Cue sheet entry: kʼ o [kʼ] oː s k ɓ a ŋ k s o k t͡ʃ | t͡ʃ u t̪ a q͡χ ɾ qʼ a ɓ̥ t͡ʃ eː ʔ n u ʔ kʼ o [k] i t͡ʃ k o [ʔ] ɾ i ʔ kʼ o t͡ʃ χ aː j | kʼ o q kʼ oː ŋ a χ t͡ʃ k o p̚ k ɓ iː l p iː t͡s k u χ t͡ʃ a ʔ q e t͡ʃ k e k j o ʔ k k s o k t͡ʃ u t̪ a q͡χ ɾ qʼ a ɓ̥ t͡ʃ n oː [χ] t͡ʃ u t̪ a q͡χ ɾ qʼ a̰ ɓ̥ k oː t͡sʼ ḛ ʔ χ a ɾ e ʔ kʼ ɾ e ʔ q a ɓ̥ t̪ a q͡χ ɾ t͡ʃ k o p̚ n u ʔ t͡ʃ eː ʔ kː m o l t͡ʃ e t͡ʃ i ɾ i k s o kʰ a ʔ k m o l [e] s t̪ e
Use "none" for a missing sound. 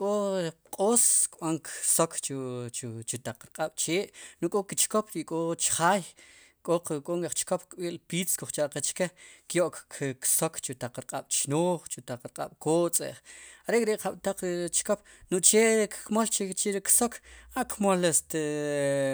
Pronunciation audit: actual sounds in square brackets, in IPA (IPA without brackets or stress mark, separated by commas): qʼ, k, p, χ, e